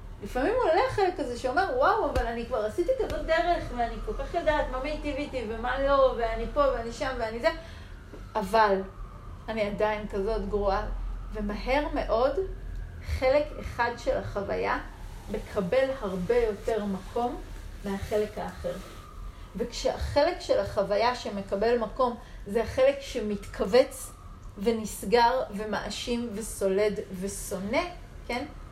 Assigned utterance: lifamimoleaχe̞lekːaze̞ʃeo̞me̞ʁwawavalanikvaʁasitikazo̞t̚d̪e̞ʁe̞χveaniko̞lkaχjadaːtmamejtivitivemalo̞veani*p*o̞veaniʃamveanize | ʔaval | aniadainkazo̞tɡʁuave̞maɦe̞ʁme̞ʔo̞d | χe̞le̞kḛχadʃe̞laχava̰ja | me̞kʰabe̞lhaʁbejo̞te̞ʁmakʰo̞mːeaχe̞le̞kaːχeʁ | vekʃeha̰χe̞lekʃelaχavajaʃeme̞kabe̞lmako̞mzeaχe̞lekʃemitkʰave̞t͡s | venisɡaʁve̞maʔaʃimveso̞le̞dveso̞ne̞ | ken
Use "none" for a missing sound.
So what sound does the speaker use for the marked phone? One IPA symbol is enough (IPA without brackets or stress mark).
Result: p